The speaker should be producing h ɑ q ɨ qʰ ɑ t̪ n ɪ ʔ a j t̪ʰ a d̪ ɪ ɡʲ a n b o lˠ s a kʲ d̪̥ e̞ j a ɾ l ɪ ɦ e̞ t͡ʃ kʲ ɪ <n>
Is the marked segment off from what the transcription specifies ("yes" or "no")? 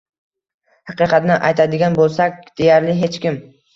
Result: yes